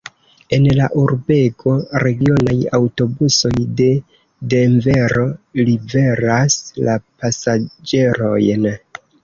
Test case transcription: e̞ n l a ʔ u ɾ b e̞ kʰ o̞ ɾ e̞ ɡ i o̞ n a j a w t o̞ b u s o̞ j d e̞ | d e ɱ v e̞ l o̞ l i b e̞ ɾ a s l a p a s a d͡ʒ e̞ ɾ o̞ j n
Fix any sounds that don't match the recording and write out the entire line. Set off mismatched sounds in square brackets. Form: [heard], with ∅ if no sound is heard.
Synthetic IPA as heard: e̞ n l a ʔ u ɾ b e̞ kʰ o̞ ɾ e̞ ɡ i o̞ n a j a w t o̞ b u s o̞ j d e̞ | d e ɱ v e̞ [ɾ] o̞ l i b e̞ ɾ a s l a p a s a d͡ʒ e̞ ɾ o̞ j n